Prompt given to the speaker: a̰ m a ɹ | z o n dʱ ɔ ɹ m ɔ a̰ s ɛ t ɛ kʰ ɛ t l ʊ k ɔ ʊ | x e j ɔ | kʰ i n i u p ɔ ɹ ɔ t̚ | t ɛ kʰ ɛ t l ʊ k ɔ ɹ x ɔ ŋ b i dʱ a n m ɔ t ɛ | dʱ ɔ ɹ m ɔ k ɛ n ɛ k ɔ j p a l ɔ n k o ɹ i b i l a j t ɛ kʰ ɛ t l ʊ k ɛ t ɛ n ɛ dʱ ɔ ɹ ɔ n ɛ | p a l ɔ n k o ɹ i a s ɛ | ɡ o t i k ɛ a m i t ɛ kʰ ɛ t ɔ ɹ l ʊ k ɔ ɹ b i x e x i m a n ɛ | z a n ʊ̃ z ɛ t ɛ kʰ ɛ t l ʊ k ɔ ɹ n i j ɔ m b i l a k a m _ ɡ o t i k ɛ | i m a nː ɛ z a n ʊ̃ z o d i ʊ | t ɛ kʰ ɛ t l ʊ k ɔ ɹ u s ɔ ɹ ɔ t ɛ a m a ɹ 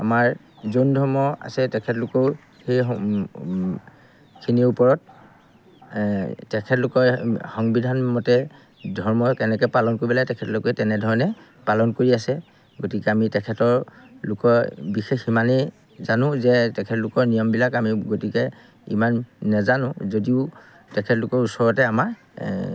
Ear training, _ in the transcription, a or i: i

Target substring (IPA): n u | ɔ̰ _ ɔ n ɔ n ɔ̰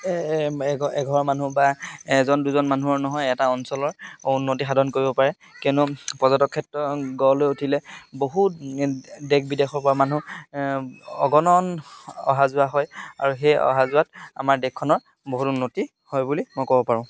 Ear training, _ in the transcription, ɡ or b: ɡ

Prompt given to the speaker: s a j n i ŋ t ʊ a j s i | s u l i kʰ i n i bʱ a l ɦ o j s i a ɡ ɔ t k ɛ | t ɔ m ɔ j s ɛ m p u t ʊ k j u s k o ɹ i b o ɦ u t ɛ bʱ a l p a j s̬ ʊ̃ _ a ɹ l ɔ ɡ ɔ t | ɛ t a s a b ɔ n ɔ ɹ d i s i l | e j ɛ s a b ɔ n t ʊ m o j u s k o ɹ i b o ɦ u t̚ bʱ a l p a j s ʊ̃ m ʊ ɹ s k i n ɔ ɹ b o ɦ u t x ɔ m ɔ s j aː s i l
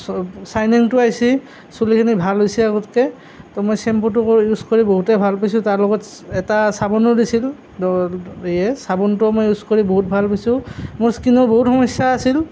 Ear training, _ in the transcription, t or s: t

